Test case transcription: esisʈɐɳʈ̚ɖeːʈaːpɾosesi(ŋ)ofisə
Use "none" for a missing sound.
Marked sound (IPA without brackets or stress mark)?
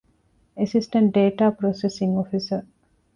ŋ